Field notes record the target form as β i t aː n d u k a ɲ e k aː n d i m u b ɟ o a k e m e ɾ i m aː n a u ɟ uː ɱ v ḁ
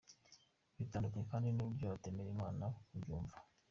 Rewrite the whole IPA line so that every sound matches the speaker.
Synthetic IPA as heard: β i t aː n d u k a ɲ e k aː n d i n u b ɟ o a t e m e ɾ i m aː n a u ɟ uː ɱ v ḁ

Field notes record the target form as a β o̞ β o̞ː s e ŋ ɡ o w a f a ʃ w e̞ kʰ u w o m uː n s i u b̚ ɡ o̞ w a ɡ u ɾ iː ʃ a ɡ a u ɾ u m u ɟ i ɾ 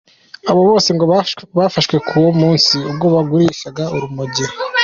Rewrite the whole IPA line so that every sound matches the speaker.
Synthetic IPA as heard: a β o̞ β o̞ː s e ŋ ɡ o β a f a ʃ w e̞ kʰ u w o m uː n s i u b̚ ɡ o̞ β a ɡ u ɾ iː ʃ a ɡ a u ɾ u m u ɟ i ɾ

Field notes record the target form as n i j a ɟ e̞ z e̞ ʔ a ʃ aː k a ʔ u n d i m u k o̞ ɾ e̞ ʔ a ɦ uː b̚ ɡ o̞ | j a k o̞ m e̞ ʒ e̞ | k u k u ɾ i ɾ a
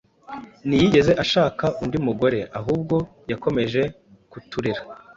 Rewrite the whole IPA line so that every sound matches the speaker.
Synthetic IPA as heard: n i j i ɟ e̞ z e̞ ʔ a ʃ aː k a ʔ u n d i m u ɡ o̞ ɾ e̞ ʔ a ɦ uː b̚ ɡ o̞ | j a k o̞ m e̞ ʒ e̞ | k u t u ɾ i ɾ a

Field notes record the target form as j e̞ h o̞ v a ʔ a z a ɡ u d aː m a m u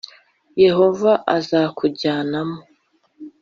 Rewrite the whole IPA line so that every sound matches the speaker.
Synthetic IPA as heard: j e̞ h o̞ v a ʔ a z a k u ɟ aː n a m o

